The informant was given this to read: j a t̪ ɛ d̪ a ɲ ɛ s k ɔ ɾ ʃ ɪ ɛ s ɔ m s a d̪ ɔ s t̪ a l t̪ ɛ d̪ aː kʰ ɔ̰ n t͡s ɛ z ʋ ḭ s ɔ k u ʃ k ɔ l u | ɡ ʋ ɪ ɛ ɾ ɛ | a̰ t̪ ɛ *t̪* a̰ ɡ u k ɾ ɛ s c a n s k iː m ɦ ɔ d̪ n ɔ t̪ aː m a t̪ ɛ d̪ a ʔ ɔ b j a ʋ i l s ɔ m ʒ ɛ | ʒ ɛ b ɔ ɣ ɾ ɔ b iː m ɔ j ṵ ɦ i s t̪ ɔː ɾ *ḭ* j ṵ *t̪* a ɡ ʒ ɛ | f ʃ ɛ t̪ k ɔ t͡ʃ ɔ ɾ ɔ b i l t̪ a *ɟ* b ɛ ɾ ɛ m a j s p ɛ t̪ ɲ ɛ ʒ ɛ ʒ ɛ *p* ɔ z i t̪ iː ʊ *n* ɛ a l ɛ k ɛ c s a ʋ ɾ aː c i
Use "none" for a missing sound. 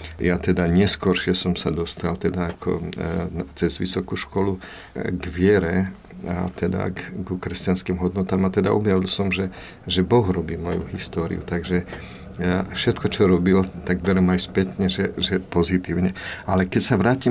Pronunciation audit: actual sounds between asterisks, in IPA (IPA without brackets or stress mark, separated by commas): d̪, ḭ, t̪, ɡ, p, ɲ